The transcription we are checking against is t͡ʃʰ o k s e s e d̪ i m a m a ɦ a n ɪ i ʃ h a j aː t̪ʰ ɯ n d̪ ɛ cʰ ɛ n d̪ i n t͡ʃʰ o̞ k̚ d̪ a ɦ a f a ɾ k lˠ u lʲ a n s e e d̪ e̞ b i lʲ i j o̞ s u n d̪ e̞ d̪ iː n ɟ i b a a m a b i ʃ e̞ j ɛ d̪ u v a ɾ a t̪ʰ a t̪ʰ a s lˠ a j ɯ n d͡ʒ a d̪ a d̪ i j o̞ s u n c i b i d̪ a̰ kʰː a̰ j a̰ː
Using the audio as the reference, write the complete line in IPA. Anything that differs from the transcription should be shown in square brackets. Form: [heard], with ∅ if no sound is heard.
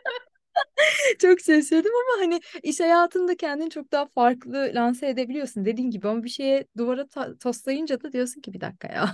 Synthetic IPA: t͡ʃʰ o k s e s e d̪ i m a m a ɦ a n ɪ i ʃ h a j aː t̪ʰ ɯ n d̪ [a] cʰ ɛ n d̪ i n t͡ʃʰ o̞ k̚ d̪ a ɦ a f a ɾ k lˠ [ɯ] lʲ a n s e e d̪ e̞ b i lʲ i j o̞ s u n d̪ e̞ d̪ iː n ɟ i b [i] a m a b i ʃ e̞ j ɛ d̪ u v a ɾ a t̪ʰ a t̪ʰ a s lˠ a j ɯ n d͡ʒ a d̪ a d̪ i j o̞ s u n c i b i d̪ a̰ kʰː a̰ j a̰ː